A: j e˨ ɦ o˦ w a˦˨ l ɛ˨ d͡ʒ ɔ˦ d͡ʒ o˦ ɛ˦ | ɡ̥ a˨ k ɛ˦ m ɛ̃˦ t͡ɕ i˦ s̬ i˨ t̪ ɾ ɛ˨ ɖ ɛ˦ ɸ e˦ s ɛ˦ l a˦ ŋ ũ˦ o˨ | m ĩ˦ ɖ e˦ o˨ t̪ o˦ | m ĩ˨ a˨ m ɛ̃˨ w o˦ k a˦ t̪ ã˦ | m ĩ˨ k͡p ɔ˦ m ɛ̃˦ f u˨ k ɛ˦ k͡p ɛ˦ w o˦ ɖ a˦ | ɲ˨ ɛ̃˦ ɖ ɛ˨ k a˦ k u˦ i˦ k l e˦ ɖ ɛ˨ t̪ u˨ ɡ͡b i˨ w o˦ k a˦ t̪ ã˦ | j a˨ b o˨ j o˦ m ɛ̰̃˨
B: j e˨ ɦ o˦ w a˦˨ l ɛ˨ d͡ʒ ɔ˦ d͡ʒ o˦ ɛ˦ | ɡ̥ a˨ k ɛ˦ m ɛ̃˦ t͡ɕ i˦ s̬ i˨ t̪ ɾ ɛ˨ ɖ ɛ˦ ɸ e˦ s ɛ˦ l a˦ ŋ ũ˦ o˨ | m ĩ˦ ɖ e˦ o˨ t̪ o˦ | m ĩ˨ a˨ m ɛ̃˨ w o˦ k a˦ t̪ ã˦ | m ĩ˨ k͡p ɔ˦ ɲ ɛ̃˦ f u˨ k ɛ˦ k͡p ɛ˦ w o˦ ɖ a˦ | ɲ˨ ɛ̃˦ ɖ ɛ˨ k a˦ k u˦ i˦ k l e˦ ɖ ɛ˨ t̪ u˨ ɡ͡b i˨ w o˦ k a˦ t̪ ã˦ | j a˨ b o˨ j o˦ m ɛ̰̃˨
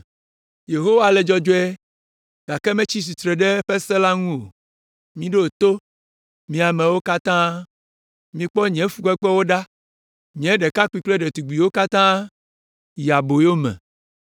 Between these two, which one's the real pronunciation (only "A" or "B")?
B